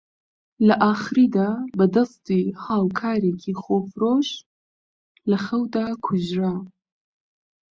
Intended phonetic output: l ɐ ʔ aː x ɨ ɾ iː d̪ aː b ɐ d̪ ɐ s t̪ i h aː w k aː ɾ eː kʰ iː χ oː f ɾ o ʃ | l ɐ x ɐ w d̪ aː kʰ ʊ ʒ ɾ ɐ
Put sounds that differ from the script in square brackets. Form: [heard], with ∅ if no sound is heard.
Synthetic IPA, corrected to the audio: l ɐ ʔ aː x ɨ ɾ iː d̪ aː b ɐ d̪ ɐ s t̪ i h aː w [kʰ] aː ɾ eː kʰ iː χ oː f ɾ o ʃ | l ɐ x ɐ w d̪ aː kʰ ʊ ʒ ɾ [a]